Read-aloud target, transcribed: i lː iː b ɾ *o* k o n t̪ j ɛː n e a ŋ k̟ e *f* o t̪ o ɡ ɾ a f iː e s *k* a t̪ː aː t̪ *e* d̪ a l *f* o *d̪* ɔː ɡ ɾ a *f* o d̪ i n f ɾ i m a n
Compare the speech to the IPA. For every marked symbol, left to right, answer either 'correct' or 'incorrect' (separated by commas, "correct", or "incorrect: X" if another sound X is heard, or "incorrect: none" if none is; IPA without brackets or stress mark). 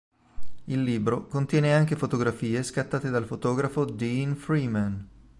correct, correct, correct, correct, correct, incorrect: t̪, correct